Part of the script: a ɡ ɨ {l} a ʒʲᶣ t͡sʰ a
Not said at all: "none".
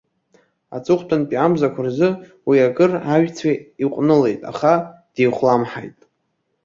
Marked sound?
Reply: r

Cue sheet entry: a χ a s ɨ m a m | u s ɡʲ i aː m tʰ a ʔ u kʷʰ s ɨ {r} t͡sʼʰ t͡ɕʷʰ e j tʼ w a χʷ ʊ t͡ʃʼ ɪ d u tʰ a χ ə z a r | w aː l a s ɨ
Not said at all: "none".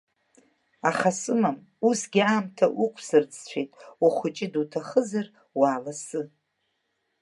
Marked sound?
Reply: r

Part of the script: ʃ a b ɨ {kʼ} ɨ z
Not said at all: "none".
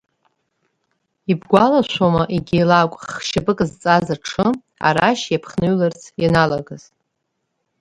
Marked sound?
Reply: kʼ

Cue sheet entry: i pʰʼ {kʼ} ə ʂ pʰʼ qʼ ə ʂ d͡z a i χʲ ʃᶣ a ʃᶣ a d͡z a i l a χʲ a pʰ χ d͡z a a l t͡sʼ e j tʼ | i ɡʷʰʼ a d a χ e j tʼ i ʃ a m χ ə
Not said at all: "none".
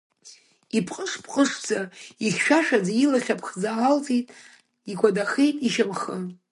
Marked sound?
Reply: qʼ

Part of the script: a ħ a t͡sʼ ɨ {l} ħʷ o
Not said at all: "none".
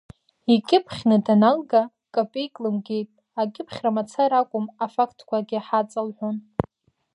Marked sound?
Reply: l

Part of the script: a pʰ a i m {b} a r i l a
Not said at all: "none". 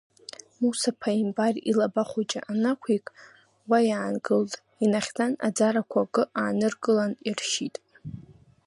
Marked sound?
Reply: b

